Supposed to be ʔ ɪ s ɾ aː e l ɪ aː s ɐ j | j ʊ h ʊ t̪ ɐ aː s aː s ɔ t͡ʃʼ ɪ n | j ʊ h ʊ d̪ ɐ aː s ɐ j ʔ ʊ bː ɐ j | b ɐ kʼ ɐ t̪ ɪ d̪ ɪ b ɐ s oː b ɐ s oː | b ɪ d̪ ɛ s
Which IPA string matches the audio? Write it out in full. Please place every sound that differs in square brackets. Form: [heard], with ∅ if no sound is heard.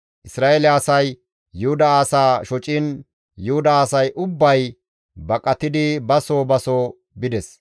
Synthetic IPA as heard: ʔ ɪ s ɾ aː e l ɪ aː s ɐ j | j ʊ h ʊ [d̪] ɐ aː s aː [ʃ] ɔ t͡ʃʼ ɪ n | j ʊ h ʊ d̪ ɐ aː s ɐ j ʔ ʊ bː ɐ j | b ɐ kʼ ɐ t̪ ɪ d̪ ɪ b ɐ s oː b ɐ s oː | b ɪ d̪ ɛ s